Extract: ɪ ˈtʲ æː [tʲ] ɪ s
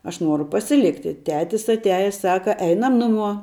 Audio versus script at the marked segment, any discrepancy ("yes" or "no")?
no